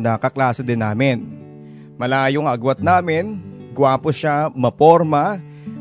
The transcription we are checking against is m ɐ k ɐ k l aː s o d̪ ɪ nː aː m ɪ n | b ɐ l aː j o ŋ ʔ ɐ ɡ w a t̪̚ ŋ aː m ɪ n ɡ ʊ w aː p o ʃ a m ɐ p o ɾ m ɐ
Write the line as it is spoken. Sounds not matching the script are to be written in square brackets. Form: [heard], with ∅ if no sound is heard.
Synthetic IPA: [n] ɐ k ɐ k l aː s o d̪ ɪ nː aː m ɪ n | [m] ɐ l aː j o ŋ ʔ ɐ ɡ w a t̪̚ [n] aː m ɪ n ɡ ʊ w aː p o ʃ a m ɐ p o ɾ m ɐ